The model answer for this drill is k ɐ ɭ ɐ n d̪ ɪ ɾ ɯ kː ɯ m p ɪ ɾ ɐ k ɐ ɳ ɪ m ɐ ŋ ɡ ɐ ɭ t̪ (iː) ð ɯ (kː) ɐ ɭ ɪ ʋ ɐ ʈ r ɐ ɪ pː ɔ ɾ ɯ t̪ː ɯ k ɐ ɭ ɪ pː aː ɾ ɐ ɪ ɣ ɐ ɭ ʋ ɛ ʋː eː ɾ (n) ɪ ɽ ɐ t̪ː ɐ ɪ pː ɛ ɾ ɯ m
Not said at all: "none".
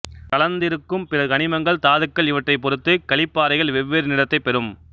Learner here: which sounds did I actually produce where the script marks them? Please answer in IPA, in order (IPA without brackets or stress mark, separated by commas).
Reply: aː, kː, n